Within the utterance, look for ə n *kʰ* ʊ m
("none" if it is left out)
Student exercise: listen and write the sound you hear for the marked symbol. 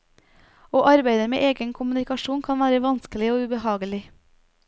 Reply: kʰ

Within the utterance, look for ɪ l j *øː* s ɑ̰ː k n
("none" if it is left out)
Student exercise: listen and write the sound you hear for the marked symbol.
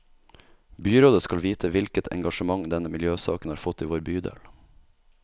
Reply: øː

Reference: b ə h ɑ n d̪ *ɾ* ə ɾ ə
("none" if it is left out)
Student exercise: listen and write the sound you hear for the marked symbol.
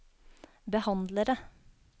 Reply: l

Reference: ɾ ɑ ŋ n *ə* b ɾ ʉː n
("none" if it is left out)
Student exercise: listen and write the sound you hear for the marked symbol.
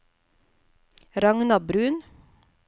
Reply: ɑ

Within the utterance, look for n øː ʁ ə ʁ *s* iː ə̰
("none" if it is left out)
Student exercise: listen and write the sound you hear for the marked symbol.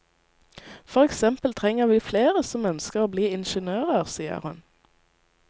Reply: s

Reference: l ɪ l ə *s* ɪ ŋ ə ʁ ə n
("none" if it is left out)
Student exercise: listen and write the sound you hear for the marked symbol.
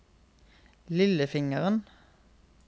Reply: f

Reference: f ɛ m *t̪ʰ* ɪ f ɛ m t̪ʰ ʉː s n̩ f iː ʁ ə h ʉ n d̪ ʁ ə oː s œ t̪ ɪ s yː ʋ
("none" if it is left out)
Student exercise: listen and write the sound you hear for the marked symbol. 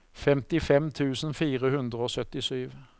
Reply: t̪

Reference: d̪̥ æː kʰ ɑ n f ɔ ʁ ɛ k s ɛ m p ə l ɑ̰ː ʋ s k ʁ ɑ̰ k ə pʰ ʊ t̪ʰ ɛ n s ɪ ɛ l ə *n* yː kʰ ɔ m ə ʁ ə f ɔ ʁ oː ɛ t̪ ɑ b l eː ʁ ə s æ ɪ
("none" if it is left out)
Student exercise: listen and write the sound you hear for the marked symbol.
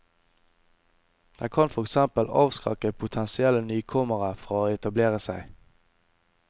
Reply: n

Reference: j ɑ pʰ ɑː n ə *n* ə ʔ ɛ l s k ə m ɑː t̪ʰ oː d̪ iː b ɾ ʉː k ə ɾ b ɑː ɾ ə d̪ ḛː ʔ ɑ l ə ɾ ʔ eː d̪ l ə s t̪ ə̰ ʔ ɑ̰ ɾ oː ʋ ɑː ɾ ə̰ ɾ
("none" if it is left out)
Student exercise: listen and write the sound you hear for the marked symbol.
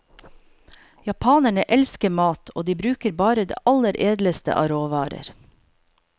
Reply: ɳ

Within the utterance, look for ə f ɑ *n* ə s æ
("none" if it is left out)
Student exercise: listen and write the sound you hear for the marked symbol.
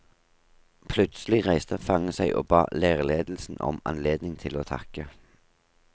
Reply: ŋ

